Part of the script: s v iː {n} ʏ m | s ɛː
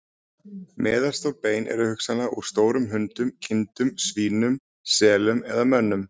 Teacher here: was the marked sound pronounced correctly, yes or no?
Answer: yes